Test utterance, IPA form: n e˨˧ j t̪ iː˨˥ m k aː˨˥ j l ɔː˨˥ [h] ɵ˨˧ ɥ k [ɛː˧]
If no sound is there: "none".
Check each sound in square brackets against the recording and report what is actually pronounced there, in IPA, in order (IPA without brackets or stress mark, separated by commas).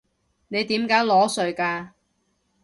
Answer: s, aː˧